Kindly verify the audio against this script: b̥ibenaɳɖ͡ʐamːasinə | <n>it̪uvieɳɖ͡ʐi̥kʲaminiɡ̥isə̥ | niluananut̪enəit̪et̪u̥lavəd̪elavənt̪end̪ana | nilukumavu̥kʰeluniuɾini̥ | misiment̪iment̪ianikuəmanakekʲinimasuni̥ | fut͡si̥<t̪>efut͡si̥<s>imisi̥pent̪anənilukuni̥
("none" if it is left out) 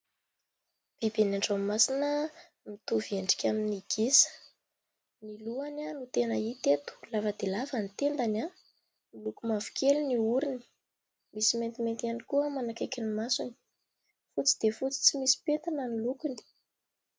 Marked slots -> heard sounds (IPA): m, d̪, t͡s

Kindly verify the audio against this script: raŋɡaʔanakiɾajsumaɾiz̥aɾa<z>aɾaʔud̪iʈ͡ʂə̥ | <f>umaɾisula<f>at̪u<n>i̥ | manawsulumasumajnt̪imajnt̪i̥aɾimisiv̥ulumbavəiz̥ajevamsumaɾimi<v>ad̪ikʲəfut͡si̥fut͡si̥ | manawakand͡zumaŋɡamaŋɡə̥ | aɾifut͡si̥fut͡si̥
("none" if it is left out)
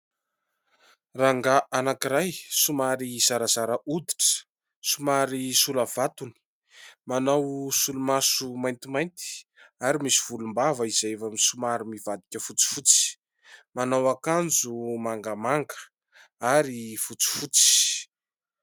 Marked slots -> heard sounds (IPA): z, s, v, n, v

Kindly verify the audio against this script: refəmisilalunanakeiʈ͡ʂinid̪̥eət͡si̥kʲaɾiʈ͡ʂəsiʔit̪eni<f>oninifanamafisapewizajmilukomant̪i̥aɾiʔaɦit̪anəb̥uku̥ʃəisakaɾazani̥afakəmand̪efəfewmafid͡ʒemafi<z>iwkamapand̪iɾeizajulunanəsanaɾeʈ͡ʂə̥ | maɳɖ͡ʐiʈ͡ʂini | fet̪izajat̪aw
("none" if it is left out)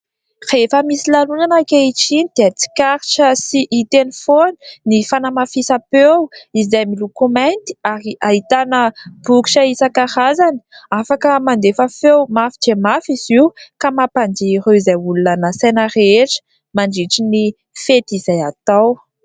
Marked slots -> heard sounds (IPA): f, z

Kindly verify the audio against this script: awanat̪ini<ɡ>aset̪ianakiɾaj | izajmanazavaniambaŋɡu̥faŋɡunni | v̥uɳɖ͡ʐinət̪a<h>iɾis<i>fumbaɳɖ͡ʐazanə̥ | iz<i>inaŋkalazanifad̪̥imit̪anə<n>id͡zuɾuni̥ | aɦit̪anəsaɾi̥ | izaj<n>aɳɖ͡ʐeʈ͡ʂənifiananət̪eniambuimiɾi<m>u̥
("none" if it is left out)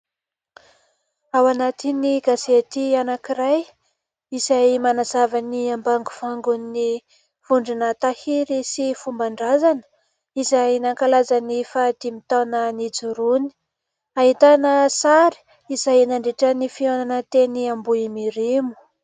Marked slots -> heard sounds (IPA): ɡ, h, i, a, n, n, m

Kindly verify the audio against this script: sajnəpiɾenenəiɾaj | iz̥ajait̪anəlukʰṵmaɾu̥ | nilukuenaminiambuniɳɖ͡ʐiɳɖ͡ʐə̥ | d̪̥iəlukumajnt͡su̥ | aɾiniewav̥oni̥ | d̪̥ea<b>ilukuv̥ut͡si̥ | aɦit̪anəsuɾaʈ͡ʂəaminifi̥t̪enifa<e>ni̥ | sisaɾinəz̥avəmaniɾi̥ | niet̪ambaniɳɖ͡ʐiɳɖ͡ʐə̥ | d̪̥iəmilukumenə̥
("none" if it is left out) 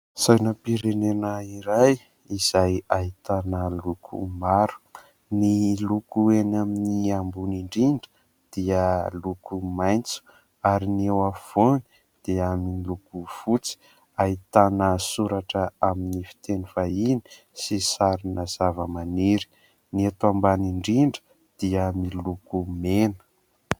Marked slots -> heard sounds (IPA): m, i

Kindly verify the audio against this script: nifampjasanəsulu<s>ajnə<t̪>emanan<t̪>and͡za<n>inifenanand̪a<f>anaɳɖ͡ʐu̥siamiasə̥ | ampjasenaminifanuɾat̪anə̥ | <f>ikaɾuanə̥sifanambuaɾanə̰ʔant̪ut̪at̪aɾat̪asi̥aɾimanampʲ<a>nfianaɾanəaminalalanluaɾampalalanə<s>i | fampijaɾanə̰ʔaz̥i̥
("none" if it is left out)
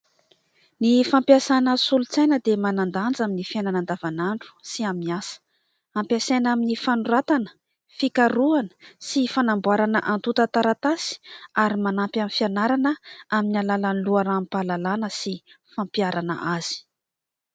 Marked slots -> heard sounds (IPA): t͡s, d̪, d̪, m, v, f, a, s

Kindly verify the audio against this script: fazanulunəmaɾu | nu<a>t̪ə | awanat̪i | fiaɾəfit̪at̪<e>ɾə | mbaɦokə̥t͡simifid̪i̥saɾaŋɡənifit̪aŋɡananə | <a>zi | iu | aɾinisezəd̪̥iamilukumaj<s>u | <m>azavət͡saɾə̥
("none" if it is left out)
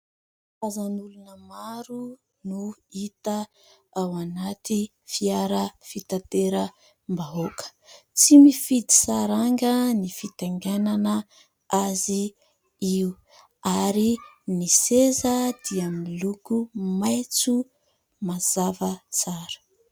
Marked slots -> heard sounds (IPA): i, e, a, t͡s, m

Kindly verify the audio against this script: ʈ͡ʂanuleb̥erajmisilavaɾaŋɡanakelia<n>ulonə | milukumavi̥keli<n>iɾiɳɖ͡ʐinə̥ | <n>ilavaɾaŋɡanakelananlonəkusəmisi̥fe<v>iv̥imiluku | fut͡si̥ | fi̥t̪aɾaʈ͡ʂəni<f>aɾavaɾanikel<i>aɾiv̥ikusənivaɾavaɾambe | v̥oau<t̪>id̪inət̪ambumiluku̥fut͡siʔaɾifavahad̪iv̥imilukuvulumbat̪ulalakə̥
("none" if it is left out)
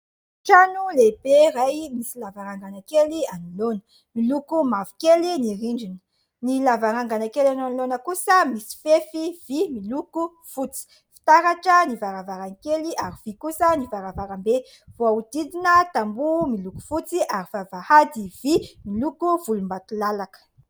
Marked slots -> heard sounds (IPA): n, n, n, f, v, i, d̪

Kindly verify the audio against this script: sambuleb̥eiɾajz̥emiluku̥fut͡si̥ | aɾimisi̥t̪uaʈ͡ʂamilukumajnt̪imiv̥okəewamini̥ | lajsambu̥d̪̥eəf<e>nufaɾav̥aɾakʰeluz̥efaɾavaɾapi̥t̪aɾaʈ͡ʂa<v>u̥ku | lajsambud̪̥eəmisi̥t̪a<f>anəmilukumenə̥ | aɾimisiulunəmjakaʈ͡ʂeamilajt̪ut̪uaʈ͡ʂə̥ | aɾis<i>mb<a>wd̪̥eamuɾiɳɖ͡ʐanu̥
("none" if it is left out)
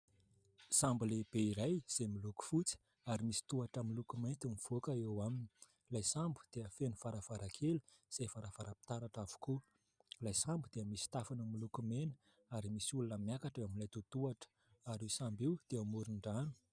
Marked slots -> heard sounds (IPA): e, v, f, a, i

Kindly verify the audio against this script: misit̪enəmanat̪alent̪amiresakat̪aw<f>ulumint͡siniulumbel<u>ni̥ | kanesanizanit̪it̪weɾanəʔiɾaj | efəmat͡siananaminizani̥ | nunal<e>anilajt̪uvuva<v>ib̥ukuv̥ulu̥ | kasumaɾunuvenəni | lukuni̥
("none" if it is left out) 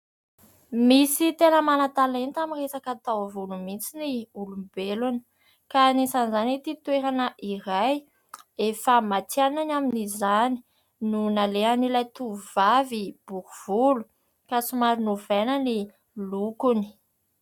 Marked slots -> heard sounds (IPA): v, u, e, v

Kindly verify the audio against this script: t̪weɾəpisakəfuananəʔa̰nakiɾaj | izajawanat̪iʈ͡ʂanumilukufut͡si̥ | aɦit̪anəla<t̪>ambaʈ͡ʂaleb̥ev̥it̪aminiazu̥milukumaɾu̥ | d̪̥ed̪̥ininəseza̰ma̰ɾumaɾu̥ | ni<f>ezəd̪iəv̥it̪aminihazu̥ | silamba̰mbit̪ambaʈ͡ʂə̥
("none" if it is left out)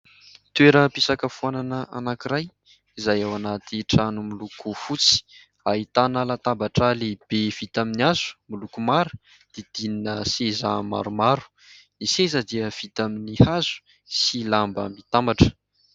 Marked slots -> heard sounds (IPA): t̪, s

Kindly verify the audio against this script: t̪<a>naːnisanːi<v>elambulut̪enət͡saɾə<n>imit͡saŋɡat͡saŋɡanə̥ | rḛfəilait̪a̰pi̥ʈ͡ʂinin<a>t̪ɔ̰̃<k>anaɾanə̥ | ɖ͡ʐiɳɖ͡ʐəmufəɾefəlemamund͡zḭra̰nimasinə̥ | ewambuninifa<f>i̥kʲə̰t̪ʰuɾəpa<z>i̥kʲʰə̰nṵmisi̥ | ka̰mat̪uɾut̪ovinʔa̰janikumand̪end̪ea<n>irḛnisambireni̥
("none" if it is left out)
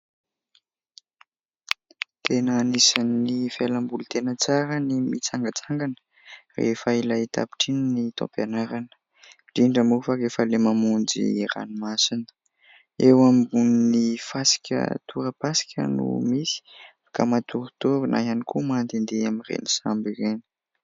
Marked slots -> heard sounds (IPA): e, f, n, i, p, s, s, m

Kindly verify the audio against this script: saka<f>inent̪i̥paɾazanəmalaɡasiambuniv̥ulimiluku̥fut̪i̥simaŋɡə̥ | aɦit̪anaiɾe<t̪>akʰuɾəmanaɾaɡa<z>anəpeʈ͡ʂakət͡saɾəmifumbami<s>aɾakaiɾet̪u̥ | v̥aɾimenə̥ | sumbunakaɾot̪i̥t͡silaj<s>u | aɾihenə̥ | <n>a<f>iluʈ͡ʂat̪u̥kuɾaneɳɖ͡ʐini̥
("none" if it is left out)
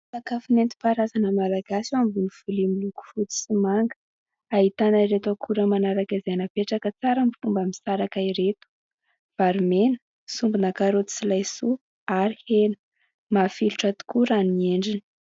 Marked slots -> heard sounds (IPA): f, t̪, z, s, s, m, f

